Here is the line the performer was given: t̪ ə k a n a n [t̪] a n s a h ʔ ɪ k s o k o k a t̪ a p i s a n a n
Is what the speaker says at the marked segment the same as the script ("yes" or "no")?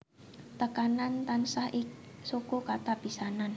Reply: yes